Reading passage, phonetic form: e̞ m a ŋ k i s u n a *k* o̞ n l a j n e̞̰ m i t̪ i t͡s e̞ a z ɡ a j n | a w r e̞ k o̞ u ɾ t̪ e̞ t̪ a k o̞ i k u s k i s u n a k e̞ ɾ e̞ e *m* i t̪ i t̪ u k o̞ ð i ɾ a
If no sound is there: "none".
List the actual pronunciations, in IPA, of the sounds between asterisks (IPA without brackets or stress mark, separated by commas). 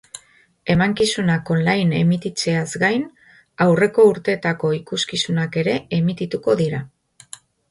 k, m